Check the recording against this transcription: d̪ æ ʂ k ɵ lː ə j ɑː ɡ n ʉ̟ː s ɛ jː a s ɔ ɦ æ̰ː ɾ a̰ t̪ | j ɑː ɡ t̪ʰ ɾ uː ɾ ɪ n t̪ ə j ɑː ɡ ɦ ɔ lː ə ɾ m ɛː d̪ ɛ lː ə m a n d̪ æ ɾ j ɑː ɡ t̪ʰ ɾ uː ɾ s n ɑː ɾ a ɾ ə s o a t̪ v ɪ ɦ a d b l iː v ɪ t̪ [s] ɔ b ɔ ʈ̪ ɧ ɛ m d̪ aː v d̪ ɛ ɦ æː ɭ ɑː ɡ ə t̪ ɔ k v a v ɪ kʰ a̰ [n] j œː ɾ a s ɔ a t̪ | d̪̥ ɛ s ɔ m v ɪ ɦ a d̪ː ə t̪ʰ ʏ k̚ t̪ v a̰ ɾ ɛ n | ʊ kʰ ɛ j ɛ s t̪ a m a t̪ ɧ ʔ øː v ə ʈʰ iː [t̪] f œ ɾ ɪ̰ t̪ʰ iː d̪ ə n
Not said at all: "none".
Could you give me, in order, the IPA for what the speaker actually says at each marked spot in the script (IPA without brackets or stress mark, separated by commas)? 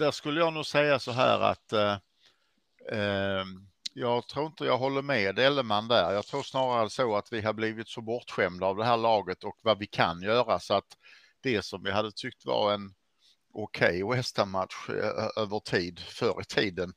s, n, d̪